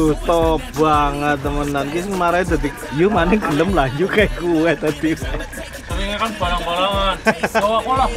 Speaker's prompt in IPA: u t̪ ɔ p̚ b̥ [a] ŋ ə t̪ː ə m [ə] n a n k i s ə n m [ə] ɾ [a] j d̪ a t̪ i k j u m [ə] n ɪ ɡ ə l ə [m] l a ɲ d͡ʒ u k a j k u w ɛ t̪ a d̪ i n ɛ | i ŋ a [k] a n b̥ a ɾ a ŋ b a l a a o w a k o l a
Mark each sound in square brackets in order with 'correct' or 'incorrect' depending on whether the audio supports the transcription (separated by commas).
correct, correct, incorrect, correct, incorrect, correct, correct